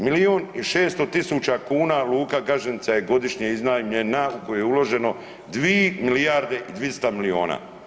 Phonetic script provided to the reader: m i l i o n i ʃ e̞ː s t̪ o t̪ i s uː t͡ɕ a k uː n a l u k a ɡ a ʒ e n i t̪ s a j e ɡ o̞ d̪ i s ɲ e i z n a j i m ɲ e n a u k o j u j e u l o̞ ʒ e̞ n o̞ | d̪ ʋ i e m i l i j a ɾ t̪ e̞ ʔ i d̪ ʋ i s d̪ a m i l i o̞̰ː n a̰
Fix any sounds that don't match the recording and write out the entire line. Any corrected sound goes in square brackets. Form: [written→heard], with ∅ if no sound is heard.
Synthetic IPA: m i l i o n i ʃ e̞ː s t̪ o t̪ i s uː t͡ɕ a k uː n a l [u→uː] k a ɡ a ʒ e n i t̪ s a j e ɡ o̞ d̪ i [s→ʃ] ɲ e i z n a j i m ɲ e n a u k o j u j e u l o̞ ʒ e̞ n o̞ | d̪ ʋ i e m i l i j a ɾ [t̪→d̪] e̞ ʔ i d̪ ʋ i s [d̪→t̪] a m i l i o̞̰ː n a̰